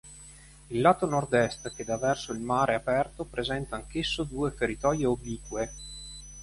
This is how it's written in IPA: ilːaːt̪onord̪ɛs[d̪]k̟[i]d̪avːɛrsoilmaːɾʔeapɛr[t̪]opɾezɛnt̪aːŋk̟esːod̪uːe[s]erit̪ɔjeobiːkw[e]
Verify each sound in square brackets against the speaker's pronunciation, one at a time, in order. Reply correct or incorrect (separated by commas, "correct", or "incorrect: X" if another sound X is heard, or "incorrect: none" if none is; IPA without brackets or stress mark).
incorrect: t̪, incorrect: e, correct, incorrect: f, correct